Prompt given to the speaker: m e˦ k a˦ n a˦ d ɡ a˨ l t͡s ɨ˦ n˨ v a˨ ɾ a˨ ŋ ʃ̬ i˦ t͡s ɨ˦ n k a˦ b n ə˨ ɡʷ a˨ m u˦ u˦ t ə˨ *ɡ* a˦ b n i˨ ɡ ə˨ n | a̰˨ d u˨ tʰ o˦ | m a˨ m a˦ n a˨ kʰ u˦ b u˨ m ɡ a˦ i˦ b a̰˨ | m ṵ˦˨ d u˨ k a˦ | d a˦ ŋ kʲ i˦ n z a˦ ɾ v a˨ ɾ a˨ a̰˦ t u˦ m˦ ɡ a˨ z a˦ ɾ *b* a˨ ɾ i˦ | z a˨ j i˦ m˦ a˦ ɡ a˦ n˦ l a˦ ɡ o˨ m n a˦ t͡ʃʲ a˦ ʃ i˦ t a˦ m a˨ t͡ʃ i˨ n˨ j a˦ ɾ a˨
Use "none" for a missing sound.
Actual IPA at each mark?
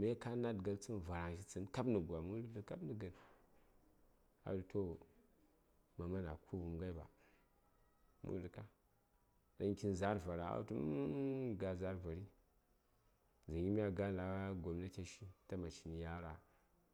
k, v

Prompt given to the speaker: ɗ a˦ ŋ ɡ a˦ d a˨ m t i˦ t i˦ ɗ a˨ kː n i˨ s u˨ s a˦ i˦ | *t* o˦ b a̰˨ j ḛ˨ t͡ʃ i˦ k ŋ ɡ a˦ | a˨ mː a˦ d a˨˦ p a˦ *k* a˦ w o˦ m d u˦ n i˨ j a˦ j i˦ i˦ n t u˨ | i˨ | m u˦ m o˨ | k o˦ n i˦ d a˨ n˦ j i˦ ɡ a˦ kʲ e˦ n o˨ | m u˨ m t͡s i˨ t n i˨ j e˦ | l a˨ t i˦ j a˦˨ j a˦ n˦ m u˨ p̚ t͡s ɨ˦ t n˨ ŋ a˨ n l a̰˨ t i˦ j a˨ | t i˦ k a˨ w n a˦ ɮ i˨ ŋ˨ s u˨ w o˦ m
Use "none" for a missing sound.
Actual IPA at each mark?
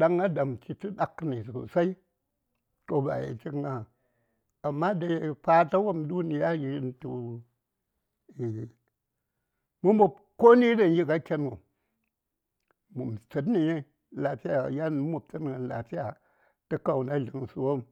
t, t

